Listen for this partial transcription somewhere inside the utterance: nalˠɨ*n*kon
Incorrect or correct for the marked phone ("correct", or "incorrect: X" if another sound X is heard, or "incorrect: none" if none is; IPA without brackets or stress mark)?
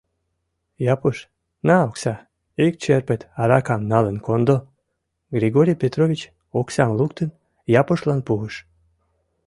correct